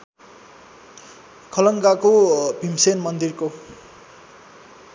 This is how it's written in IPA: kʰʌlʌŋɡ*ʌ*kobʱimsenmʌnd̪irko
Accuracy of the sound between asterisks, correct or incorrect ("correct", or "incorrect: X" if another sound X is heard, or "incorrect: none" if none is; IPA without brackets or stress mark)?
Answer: incorrect: a